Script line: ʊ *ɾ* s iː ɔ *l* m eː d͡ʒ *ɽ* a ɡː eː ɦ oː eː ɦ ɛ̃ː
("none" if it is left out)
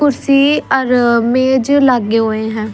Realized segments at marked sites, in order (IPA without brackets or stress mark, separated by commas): ɾ, ɾ, l